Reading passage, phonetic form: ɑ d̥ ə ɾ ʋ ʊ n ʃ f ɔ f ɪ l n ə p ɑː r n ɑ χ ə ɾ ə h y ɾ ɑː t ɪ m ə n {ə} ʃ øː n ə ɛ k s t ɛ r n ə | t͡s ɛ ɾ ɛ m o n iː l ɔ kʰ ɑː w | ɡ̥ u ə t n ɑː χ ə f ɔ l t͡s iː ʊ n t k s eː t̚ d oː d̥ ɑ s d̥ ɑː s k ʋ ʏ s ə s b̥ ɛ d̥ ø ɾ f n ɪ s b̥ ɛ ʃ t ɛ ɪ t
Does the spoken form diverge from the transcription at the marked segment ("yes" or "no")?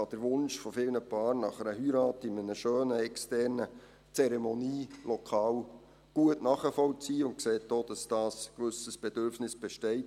no